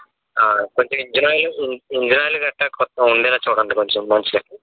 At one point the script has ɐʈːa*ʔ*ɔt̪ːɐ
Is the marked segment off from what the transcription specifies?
yes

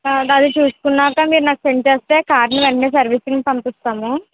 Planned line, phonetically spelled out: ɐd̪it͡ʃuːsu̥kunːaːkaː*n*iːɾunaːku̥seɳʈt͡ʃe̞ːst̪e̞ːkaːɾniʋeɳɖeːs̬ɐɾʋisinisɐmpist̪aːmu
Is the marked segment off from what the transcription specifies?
yes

